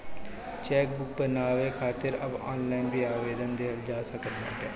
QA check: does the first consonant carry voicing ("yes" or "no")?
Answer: no